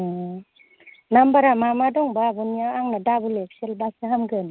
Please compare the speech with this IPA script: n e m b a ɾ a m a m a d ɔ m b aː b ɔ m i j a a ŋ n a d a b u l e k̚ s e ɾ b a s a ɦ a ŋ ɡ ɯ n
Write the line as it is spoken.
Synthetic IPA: n a m b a ɾ a m a m a d ɔ ŋ b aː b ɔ n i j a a ŋ n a d a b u l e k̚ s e l b a s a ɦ a m ɡ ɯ n